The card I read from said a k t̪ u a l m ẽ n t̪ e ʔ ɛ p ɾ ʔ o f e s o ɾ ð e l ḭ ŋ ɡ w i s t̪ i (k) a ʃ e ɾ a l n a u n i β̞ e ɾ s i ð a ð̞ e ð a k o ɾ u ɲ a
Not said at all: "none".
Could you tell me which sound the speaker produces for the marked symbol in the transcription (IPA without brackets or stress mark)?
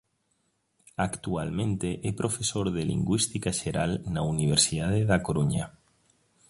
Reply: k